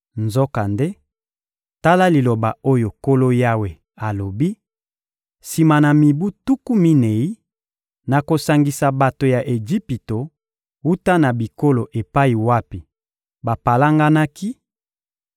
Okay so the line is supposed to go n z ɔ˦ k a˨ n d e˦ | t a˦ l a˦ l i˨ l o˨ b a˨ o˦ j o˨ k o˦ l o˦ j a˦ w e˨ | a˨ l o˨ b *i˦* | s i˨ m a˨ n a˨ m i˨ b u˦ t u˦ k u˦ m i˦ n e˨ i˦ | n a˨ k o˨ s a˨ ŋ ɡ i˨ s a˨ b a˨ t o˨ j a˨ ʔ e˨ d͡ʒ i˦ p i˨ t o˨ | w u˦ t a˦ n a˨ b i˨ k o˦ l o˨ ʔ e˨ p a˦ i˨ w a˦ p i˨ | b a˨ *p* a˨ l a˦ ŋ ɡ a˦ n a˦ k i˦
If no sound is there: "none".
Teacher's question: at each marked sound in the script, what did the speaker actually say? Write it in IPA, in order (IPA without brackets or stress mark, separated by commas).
i˦, p